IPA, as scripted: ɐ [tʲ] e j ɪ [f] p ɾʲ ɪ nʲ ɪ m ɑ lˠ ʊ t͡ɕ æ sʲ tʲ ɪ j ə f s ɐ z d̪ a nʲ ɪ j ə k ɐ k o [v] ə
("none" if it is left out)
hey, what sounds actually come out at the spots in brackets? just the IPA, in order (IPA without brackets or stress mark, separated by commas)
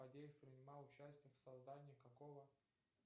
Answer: dʲ, f, v